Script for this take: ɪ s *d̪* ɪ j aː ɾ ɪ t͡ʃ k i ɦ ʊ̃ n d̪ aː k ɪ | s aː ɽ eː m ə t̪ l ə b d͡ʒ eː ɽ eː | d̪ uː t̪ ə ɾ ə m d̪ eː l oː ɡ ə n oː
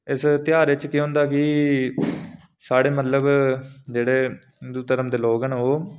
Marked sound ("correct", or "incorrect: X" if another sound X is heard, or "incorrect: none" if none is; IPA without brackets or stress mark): incorrect: t̪